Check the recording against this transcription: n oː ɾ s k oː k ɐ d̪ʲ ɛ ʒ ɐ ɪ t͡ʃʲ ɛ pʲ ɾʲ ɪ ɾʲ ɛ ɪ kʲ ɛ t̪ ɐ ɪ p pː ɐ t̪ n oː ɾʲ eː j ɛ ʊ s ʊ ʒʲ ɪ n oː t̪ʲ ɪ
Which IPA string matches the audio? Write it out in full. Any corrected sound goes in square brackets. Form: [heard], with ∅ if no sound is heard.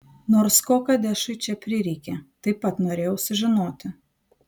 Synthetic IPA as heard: n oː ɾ s k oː k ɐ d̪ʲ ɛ [ʃ] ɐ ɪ t͡ʃʲ ɛ pʲ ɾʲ ɪ ɾʲ ɛ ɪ kʲ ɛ t̪ ɐ ɪ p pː ɐ t̪ n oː ɾʲ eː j ɛ ʊ s ʊ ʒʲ ɪ n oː t̪ʲ ɪ